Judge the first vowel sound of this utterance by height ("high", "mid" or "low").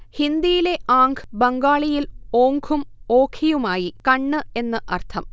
high